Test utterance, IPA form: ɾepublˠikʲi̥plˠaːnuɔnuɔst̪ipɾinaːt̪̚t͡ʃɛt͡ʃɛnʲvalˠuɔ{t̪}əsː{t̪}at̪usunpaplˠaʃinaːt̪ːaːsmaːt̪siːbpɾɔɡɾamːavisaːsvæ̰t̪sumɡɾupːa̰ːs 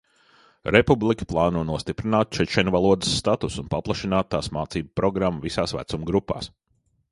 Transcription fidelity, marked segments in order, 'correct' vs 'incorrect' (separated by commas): incorrect, correct